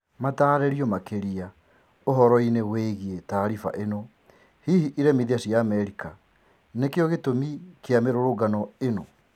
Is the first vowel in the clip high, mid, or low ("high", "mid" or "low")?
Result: low